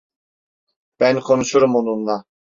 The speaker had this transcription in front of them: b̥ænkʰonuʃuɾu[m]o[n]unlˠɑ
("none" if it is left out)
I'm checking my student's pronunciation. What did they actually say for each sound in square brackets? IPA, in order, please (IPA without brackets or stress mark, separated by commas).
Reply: m, n